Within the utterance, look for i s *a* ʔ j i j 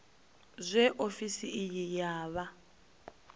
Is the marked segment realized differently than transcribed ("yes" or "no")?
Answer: yes